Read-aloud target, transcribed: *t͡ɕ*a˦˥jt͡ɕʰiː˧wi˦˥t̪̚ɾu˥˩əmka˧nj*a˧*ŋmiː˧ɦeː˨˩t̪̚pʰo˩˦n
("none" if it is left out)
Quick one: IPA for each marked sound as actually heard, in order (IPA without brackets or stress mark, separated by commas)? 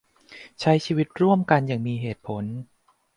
t͡ɕʰ, a˨˩